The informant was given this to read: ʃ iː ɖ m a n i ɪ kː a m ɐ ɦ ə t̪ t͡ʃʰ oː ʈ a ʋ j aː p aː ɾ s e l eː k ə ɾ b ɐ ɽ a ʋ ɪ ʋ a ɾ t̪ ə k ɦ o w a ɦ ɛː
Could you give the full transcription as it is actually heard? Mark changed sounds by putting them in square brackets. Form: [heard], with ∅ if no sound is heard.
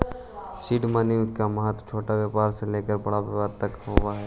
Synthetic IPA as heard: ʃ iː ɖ m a n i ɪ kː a m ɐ ɦ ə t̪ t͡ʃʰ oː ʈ a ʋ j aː p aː ɾ s e l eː k ə ɾ b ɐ ɽ a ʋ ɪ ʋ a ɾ t̪ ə k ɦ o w a ɦ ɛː